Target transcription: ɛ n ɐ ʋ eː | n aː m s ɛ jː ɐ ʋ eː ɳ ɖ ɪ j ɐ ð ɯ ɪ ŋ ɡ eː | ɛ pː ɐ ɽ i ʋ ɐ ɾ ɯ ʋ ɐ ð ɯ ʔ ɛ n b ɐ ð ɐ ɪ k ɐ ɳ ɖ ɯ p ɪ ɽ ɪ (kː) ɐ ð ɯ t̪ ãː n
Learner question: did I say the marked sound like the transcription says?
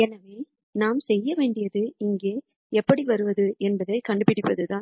no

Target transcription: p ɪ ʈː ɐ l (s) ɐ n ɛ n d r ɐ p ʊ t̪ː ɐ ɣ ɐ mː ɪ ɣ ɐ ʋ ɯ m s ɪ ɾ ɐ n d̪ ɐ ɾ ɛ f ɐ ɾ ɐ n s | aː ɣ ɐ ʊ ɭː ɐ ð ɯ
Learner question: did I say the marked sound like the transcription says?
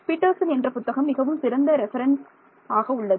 yes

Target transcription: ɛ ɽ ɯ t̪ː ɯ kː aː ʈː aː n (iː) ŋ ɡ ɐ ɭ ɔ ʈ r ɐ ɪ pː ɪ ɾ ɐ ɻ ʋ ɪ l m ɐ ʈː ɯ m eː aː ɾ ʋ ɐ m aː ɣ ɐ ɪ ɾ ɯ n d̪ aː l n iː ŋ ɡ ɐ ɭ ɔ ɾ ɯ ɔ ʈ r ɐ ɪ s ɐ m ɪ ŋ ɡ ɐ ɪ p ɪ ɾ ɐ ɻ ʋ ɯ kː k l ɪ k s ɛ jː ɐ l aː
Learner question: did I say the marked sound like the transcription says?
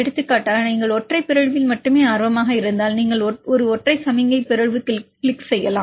yes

